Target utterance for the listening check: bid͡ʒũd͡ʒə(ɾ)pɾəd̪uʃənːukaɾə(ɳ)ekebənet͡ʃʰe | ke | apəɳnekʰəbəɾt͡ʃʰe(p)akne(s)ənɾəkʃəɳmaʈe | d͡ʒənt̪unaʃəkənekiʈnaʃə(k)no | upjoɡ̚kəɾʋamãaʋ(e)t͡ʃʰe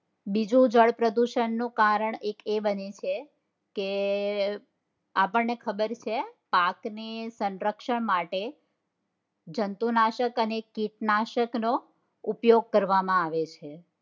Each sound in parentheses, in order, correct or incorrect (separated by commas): incorrect, correct, correct, correct, correct, correct